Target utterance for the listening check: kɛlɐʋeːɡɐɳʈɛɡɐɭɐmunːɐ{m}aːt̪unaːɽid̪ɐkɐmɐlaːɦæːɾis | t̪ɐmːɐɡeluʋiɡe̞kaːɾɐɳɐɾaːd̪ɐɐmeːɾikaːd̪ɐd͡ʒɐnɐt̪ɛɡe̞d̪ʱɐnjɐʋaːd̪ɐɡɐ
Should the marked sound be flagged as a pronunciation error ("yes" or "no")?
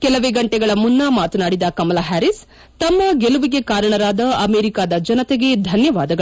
no